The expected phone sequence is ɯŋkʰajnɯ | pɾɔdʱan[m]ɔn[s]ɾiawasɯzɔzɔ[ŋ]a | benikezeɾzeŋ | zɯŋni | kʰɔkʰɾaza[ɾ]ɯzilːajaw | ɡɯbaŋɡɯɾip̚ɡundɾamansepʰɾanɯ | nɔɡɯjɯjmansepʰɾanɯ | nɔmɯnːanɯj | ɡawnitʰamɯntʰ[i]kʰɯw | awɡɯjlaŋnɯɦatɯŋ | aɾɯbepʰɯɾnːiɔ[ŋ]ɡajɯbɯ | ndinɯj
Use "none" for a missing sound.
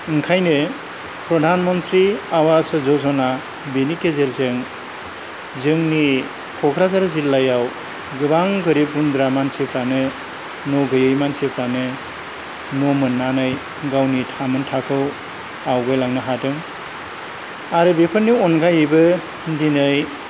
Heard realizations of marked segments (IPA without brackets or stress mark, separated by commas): m, t, n, ɾ, a, n